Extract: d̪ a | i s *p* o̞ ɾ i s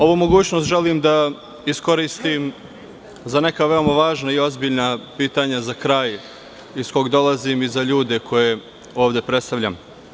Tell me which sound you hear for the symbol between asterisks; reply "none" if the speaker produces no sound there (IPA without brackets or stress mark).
k